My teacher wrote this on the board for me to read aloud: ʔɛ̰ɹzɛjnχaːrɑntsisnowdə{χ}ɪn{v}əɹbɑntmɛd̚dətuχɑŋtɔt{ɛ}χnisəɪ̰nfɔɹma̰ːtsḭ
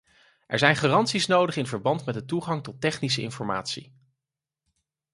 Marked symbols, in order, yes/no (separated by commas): yes, yes, yes